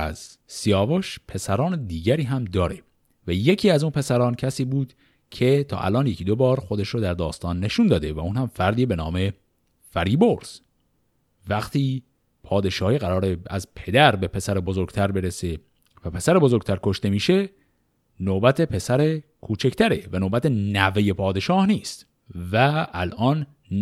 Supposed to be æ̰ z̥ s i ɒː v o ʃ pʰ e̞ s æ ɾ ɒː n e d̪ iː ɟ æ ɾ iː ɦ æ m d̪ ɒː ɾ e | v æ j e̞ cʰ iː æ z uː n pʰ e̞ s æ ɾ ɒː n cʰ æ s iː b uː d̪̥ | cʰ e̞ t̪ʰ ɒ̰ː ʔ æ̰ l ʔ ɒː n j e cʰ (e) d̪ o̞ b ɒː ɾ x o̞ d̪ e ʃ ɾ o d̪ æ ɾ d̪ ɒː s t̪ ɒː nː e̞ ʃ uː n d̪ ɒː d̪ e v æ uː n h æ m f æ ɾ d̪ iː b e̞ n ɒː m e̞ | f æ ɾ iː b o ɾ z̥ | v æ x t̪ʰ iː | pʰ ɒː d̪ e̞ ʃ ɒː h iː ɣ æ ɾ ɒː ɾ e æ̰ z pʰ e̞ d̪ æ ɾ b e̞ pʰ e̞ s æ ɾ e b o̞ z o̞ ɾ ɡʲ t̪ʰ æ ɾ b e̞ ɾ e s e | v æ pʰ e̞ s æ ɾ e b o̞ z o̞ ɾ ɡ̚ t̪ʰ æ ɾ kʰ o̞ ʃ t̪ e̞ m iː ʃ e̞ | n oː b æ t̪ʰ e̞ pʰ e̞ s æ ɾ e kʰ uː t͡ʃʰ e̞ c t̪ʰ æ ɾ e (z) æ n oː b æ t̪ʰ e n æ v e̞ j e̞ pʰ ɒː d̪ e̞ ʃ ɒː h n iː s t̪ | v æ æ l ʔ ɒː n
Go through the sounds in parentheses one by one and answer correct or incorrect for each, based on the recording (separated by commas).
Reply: incorrect, incorrect